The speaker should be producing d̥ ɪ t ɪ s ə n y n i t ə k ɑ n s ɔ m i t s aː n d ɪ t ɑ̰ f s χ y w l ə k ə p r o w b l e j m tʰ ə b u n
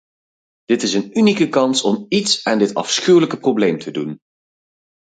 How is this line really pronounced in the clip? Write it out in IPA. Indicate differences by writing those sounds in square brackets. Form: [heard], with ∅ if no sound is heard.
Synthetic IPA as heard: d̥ ɪ t ɪ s ə n y n i [k] ə k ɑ n s ɔ m i t s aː n d ɪ t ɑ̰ f s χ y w l ə k ə p r o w b l e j m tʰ ə [d] u n

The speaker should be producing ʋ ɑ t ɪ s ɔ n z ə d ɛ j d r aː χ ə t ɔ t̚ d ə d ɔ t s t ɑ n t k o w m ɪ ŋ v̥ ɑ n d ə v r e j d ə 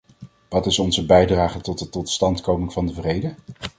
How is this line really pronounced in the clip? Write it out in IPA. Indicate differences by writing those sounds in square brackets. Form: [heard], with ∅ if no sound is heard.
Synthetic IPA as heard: ʋ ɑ t ɪ s ɔ n z ə [b] ɛ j d r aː χ ə t ɔ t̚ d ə [t] ɔ t s t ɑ n t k o w m ɪ ŋ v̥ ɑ n d ə v r e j d ə

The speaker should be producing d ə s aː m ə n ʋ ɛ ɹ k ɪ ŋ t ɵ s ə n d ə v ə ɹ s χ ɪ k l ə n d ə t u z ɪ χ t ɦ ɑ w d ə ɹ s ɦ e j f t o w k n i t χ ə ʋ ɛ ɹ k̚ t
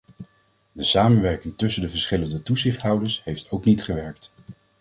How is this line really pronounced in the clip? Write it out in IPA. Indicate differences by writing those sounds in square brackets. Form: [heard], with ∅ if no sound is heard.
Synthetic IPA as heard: d ə s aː m ə n ʋ ɛ ɹ k ɪ ŋ t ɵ s ə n d ə v ə ɹ s χ ɪ [∅] l ə n d ə t u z ɪ χ t ɦ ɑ w d ə ɹ s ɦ e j f t o w k n i t χ ə ʋ ɛ ɹ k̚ t

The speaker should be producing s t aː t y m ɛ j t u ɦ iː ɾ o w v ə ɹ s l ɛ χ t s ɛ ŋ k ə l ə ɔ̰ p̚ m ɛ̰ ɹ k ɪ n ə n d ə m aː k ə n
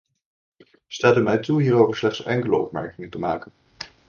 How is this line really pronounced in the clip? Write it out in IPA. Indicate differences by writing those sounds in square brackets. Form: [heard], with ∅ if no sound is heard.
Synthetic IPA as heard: s t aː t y m ɛ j t u ɦ iː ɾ o w v ə ɹ s l ɛ χ t s ɛ ŋ k ə l ə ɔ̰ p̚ m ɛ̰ ɹ k ɪ [ŋ] ə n [t] ə m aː k ə n

